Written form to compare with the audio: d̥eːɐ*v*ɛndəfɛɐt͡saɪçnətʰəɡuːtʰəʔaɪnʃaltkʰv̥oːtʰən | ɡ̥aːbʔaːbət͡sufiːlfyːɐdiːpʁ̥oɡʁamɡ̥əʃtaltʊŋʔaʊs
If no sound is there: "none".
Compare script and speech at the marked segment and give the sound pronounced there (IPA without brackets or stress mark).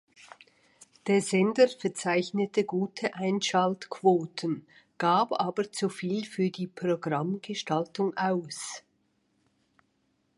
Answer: z